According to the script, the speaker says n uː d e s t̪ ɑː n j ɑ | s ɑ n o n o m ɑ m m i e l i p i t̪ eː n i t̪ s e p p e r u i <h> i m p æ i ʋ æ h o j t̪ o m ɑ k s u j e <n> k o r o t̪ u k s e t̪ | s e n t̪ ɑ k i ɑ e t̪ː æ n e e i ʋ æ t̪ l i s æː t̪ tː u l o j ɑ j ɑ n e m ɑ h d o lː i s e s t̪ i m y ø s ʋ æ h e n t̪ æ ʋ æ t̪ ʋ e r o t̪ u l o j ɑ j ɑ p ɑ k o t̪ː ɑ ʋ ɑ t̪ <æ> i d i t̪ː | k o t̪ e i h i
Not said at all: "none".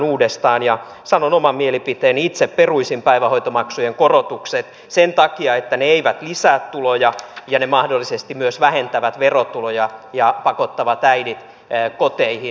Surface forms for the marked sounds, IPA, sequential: s, ŋ, æ

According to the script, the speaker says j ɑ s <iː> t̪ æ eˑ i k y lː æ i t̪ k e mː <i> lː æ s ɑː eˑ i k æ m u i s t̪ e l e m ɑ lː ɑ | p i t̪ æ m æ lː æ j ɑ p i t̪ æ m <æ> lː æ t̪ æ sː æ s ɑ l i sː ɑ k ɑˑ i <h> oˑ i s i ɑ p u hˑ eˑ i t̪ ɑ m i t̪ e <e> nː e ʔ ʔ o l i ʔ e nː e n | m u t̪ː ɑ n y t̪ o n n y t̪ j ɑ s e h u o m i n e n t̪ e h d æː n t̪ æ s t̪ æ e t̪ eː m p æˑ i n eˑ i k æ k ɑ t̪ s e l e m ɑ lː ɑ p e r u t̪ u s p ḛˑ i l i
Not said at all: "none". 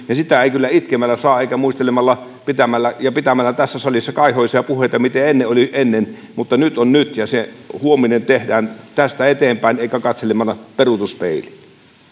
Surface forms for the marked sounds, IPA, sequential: i, æ, æ, h, e

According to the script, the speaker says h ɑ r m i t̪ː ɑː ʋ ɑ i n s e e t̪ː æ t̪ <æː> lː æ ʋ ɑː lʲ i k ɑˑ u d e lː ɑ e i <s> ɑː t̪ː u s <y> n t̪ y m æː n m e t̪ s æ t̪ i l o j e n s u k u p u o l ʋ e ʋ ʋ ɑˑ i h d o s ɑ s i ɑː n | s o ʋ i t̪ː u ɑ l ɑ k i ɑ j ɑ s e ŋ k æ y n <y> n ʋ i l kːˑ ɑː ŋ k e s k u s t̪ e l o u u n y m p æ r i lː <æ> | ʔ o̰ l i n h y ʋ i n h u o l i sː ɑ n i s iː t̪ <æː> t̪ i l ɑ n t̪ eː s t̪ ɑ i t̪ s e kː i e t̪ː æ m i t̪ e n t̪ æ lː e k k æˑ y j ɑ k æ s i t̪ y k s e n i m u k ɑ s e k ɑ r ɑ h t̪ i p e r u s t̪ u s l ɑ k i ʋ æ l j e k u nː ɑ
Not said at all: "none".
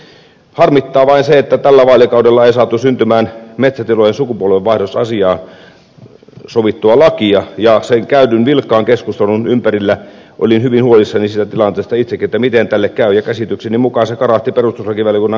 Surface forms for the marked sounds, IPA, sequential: æ, s, y, y, æ, æ

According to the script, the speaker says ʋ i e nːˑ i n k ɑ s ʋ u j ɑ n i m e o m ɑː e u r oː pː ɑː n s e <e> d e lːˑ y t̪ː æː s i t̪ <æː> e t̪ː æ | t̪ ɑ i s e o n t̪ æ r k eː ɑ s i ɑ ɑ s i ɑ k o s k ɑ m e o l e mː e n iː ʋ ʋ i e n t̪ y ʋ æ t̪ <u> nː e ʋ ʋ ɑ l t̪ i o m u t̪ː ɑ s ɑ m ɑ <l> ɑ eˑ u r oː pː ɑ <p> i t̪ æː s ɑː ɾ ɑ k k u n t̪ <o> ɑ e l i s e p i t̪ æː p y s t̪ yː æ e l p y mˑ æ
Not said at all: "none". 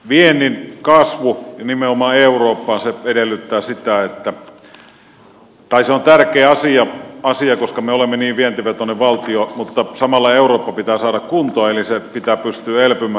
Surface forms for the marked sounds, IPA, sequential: e, æ, o, lː, p, o

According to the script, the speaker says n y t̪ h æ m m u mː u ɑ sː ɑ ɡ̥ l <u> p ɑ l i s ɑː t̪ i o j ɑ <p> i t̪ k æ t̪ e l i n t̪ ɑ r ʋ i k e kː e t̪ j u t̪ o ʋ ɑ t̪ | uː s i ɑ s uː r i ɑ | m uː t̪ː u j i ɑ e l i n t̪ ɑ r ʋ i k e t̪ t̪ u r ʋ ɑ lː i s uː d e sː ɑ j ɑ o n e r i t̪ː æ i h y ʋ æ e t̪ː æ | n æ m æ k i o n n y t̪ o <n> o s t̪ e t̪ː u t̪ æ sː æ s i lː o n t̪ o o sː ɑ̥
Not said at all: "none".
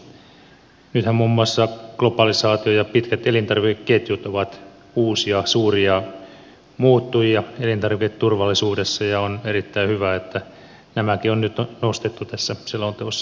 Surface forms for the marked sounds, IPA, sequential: o, p, n

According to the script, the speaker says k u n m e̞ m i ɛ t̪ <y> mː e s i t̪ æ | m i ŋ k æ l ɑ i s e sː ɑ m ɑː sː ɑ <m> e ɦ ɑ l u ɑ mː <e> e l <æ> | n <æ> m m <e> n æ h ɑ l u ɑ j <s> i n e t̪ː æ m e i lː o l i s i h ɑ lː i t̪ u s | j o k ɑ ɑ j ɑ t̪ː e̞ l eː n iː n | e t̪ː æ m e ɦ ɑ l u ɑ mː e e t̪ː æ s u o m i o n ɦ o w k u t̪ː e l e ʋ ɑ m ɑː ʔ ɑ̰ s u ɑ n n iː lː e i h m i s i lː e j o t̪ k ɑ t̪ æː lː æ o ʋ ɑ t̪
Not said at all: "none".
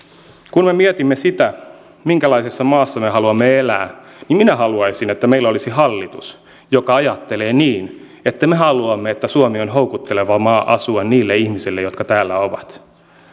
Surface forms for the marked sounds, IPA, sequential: i, m, e, æː, i, i, s

